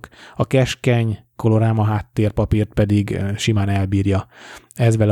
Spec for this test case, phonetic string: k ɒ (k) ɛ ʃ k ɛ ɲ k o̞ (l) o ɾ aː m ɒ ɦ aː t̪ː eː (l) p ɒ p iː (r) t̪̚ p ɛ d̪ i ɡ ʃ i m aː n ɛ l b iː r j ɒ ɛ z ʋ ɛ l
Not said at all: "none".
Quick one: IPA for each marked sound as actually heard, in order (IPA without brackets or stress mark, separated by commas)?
k, l, r, r